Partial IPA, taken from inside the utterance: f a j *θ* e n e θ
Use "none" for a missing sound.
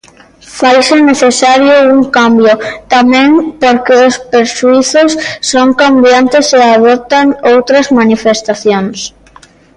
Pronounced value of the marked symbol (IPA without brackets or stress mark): s